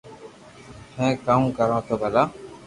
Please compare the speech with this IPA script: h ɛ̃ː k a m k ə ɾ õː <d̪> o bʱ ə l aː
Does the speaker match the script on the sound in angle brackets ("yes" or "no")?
no